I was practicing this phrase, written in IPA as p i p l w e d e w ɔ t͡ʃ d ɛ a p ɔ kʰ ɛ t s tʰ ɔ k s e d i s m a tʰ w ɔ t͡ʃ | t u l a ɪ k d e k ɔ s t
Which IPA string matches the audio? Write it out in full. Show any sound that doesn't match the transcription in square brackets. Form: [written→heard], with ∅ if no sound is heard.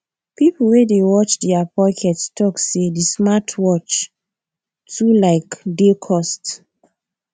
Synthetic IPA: p i p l w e d e w ɔ t͡ʃ d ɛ a p ɔ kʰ ɛ t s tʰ ɔ k s e d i s m a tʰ w ɔ t͡ʃ | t u l a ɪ k d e [k→kʰ] ɔ s t